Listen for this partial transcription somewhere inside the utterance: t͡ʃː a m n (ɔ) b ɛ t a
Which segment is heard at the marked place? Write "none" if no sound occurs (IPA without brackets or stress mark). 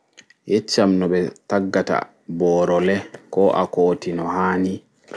ɔ